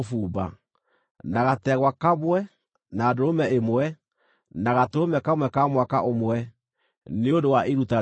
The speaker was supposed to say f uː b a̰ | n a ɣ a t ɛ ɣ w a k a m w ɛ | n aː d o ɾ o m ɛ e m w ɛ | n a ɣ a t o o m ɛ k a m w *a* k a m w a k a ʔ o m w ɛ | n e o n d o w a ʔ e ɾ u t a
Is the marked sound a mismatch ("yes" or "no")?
yes